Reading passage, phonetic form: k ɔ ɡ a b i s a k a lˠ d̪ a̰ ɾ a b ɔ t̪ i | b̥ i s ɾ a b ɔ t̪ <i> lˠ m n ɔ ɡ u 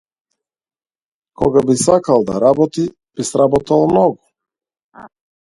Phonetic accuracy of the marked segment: incorrect: a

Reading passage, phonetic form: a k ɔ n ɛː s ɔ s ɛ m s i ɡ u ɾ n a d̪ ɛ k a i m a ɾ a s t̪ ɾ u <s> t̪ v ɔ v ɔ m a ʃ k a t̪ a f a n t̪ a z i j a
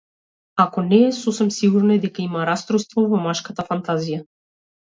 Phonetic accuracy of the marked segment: correct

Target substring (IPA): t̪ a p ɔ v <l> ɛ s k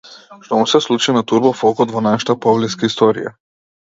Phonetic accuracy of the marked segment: correct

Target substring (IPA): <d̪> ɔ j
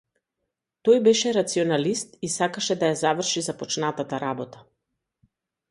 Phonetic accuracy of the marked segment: incorrect: t̪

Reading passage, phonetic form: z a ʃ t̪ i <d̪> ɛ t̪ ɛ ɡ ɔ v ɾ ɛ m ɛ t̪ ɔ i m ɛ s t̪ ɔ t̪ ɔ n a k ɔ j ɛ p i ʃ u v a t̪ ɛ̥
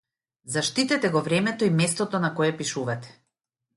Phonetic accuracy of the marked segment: incorrect: t̪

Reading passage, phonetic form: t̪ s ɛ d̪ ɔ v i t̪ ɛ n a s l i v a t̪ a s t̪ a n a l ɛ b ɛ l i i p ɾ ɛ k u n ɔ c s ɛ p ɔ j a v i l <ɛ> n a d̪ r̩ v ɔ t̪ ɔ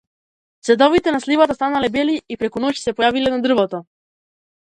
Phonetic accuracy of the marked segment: correct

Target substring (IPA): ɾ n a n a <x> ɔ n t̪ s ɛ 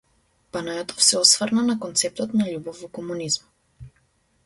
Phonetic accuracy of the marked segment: incorrect: k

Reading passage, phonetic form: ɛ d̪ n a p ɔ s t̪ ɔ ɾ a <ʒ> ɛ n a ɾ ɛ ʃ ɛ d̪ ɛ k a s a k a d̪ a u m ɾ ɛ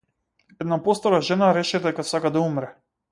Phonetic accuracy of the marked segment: correct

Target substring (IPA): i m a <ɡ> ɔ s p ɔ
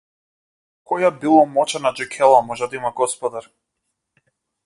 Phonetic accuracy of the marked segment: correct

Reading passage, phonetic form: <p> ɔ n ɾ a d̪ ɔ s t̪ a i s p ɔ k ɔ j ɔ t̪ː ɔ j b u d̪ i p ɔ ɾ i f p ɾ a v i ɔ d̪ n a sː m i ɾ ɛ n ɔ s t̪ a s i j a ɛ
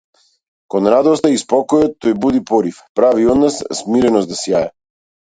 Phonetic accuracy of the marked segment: incorrect: k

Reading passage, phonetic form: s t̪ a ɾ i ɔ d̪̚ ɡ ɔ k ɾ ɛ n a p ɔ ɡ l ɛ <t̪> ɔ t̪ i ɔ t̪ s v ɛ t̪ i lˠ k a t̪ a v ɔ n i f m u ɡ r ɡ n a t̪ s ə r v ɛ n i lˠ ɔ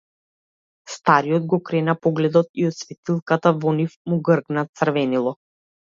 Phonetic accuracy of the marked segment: incorrect: d̪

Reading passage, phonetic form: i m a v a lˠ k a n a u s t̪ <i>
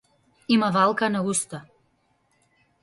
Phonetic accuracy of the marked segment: incorrect: a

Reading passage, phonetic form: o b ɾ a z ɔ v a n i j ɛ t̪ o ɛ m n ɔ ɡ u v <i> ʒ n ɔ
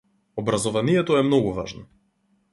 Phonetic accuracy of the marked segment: incorrect: a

